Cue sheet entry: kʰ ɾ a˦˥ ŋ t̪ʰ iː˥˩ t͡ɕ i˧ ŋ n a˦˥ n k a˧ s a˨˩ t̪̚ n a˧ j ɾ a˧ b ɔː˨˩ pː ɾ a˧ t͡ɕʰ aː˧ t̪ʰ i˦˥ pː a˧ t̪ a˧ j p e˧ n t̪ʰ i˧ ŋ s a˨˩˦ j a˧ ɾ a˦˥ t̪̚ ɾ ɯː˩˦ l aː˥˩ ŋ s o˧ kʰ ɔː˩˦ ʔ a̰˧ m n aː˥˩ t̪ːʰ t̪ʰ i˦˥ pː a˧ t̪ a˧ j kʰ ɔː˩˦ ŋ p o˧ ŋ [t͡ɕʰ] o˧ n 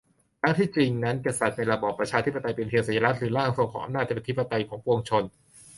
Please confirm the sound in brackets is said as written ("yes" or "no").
yes